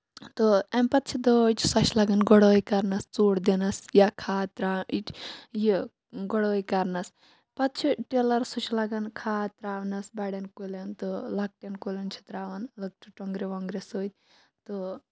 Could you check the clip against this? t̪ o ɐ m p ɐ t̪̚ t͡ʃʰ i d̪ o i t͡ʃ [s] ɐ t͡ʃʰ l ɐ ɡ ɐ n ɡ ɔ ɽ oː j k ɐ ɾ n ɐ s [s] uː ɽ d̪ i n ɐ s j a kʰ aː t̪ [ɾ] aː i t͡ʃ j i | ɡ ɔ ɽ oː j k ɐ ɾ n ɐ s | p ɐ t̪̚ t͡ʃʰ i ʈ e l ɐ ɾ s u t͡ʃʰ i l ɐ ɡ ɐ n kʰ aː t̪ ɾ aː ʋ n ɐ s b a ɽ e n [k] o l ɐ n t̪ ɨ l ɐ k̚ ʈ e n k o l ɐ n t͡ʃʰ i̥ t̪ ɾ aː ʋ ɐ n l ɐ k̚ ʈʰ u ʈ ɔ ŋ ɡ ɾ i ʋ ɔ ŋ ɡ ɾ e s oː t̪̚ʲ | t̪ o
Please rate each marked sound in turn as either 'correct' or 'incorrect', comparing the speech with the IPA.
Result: correct, incorrect, correct, correct

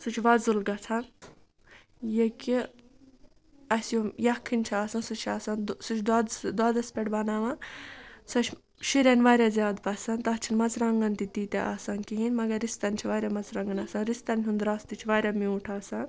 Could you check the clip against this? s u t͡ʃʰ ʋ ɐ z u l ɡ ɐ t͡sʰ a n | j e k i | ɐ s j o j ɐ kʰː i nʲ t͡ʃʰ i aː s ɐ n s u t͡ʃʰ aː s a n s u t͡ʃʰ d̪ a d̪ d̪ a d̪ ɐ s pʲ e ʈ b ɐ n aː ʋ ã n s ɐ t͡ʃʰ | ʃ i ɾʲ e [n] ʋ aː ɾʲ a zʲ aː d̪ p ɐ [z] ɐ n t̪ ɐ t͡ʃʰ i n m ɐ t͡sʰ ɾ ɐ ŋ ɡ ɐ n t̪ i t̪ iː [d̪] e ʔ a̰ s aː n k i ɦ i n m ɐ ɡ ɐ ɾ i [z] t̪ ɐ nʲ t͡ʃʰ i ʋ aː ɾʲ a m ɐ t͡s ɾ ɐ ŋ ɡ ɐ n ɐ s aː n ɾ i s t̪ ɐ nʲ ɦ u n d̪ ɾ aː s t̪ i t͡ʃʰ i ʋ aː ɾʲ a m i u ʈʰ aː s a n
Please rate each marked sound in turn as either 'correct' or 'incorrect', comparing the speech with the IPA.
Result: correct, incorrect, incorrect, incorrect

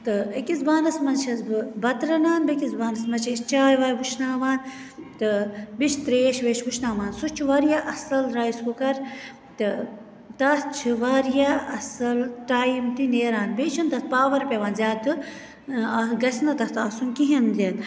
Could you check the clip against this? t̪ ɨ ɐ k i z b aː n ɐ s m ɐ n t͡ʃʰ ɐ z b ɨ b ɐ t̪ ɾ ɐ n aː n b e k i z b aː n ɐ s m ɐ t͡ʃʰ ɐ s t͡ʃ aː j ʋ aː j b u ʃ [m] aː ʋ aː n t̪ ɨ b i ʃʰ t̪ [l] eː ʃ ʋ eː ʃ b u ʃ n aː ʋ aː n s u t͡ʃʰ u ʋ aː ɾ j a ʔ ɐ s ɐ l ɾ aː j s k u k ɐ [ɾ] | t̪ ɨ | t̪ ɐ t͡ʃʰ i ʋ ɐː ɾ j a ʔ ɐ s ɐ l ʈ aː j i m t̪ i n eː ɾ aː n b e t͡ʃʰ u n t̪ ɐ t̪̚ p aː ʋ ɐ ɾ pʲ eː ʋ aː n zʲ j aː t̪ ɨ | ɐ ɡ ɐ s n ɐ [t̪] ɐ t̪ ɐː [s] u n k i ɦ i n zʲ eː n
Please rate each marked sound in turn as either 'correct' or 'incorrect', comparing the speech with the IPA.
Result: incorrect, incorrect, correct, correct, correct

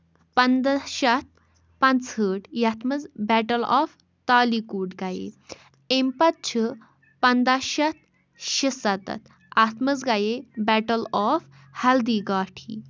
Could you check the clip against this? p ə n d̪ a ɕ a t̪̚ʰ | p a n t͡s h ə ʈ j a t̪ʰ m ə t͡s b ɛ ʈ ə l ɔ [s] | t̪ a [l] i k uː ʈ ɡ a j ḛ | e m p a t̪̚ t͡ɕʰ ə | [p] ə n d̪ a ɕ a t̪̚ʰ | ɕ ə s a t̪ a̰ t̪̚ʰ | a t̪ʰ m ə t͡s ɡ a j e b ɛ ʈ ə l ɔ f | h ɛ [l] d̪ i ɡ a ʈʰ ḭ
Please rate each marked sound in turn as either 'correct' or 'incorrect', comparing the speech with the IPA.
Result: incorrect, correct, correct, correct

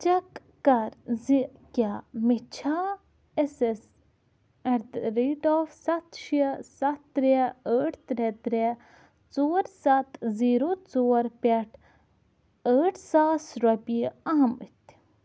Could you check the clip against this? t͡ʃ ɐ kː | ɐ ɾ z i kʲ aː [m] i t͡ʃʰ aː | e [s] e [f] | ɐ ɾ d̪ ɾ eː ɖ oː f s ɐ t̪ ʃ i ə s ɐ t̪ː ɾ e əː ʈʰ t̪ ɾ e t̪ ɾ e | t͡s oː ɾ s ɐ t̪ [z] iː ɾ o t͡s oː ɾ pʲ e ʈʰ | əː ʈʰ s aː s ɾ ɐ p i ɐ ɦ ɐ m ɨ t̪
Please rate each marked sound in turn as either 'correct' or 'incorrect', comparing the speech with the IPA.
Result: correct, correct, incorrect, correct

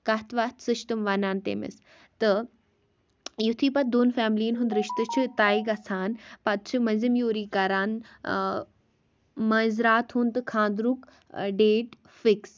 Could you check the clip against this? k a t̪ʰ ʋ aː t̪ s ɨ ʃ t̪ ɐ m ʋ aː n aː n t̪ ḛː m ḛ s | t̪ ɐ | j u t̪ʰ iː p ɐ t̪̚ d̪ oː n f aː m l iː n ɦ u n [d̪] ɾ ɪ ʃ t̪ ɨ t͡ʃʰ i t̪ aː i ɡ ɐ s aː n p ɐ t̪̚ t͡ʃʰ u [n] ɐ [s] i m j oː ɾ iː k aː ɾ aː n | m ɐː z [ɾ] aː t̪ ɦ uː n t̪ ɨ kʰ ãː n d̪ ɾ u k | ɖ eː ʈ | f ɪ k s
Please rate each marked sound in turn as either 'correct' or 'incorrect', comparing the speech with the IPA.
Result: correct, incorrect, incorrect, correct

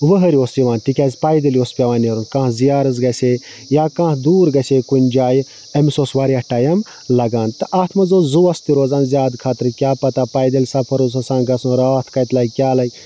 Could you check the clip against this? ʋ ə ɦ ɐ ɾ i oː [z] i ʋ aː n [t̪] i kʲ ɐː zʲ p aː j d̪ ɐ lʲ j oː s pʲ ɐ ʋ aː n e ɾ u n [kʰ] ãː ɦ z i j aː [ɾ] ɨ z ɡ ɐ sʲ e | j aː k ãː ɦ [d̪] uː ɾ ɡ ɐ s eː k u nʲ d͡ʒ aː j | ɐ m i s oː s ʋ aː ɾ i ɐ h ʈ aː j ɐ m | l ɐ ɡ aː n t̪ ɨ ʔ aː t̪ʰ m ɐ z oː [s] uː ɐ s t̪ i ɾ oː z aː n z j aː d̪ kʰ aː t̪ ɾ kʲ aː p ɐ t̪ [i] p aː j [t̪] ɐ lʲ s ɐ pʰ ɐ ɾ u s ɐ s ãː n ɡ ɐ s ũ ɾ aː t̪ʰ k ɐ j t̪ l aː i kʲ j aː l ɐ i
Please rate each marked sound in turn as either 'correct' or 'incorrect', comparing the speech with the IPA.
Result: incorrect, correct, incorrect, correct, correct, incorrect, incorrect, incorrect

